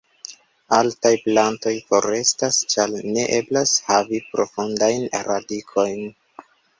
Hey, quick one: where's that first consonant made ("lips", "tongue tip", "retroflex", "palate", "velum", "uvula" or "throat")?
tongue tip